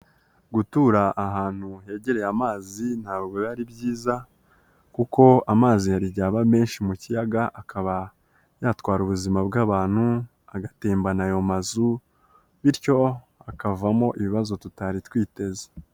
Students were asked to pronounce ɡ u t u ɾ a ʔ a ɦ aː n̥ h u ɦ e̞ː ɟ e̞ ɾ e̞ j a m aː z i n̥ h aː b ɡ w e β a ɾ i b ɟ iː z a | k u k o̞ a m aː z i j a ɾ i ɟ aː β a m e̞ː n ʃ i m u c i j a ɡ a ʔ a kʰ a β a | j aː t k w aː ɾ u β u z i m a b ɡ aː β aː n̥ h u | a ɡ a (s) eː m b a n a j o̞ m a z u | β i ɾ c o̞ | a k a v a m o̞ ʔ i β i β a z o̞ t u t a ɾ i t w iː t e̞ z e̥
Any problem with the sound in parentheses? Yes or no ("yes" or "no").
yes